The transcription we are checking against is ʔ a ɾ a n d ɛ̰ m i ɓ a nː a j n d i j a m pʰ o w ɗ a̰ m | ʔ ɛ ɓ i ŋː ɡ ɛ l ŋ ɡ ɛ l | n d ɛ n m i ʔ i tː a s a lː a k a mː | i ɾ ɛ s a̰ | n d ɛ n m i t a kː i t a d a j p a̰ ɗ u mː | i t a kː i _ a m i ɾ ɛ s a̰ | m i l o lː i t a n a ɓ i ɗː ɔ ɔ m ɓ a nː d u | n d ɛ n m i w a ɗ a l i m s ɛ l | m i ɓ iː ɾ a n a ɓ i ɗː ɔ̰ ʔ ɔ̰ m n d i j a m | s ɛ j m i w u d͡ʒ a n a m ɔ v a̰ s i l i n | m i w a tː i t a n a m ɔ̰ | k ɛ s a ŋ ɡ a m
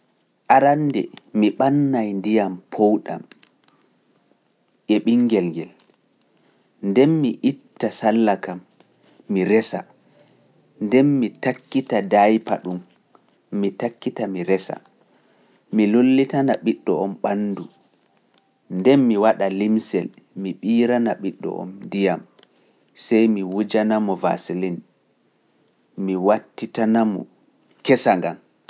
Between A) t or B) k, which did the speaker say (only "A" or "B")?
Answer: A